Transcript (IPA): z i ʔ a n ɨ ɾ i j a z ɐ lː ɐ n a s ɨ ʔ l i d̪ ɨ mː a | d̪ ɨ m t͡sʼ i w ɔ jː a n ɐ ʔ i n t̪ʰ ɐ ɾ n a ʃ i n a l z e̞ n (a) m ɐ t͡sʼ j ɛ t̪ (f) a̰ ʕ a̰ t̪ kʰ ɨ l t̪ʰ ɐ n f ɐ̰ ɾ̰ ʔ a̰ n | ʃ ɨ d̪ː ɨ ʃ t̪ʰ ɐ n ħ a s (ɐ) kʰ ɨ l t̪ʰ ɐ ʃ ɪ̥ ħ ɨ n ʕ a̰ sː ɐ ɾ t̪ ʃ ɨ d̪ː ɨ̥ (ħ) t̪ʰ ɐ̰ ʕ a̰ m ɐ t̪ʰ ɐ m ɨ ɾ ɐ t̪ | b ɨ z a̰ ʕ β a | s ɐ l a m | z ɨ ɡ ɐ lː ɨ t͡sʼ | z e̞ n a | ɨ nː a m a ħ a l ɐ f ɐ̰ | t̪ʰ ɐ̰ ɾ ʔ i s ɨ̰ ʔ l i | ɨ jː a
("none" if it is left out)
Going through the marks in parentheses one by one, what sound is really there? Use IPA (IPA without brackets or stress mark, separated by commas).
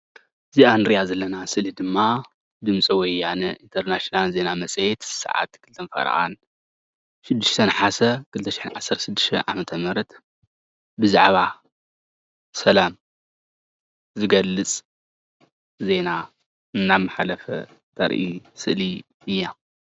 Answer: a, s, ɐ, ʃ